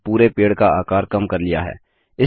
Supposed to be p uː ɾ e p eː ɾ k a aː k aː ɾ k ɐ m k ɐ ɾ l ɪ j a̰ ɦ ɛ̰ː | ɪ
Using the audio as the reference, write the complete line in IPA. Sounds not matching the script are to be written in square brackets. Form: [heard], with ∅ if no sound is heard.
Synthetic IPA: p uː ɾ e p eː [ɽ] k a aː k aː ɾ k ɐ m k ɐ ɾ l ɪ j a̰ ɦ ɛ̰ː | ɪ